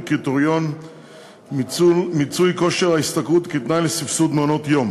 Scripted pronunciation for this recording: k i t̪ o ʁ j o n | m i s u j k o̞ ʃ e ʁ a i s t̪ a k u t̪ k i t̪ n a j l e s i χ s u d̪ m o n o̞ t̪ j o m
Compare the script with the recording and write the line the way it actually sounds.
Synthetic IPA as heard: k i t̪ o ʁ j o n | m i t͡s u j k o̞ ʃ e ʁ a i s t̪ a k u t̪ k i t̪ n a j l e s i f s u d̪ m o n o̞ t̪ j o m